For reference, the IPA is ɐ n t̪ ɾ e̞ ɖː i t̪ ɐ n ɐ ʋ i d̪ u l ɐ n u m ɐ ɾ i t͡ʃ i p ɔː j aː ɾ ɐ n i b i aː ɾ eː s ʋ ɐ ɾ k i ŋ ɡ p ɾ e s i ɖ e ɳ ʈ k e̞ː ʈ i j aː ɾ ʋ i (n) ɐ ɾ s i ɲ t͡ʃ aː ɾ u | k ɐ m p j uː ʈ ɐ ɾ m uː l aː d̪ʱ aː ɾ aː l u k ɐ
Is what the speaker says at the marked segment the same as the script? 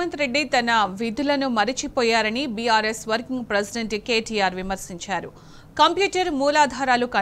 no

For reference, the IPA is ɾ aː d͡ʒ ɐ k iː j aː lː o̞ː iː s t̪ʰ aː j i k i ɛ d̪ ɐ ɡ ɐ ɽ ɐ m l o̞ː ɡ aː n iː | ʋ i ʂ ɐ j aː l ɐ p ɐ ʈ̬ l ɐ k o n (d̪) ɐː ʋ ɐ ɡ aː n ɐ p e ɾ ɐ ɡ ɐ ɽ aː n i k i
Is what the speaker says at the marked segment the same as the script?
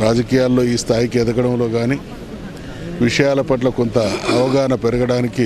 no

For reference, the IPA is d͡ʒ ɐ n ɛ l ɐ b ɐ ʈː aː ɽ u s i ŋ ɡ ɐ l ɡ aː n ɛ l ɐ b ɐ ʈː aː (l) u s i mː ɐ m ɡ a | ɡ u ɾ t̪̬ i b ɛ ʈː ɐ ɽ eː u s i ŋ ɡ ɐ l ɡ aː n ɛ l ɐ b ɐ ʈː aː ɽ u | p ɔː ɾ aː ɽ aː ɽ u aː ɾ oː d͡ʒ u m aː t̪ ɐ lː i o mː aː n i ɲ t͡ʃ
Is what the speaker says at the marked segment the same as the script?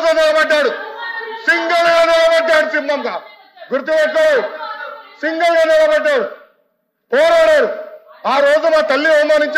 no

